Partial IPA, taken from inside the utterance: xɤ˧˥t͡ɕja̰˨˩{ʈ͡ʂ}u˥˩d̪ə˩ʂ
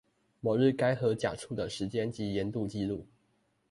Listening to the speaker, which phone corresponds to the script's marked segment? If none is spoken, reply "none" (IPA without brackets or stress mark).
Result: ʈ͡ʂʰ